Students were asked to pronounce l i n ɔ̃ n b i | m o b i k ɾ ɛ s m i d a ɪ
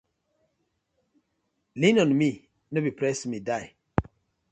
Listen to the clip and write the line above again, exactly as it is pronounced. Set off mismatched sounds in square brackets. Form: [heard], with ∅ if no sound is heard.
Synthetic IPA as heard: l i n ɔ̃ n [m] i | [n] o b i [p] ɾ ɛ s m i d a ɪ